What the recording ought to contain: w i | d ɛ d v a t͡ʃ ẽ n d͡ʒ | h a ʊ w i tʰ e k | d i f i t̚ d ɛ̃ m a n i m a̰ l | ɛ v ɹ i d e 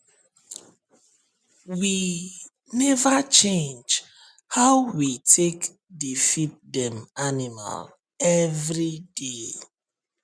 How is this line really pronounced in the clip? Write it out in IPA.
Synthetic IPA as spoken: w i | n ɛ v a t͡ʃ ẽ n d͡ʒ | h a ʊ w i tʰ e k | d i f i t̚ d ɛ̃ m a n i m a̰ l | ɛ v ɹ i d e